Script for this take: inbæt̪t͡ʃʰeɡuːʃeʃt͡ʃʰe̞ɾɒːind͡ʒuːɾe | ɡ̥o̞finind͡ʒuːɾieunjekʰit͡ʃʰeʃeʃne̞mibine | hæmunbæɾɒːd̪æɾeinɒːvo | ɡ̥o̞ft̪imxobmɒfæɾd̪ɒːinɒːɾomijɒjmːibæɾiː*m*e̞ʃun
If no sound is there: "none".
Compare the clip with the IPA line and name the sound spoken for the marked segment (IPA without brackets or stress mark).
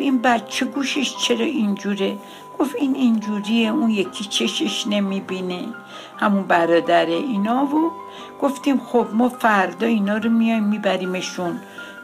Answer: m